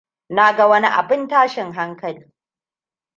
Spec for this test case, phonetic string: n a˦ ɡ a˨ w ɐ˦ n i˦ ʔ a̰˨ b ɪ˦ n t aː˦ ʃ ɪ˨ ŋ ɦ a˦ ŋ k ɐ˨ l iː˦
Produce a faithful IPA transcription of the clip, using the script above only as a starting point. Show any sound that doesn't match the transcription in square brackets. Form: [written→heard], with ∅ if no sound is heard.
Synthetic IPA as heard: n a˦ ɡ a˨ w ɐ˦ n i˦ ʔ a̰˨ b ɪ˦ n t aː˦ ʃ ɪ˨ ŋ ɦ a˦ ŋ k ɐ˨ l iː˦